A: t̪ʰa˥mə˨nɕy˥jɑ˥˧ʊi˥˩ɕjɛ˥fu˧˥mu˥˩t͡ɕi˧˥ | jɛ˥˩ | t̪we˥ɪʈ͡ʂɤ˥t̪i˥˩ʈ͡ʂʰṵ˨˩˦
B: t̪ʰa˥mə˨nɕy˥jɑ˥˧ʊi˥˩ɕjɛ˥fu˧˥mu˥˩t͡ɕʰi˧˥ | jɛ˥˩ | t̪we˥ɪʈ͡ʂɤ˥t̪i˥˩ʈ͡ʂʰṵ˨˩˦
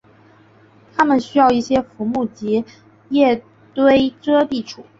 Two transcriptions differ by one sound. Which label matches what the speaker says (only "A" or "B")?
A